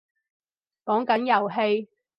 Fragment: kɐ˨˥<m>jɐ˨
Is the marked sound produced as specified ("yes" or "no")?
no